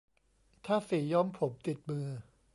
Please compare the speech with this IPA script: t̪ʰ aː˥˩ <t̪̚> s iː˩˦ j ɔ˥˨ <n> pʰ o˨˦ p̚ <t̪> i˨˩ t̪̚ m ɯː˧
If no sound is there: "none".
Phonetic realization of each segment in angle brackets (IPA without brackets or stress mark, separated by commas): none, m, t̪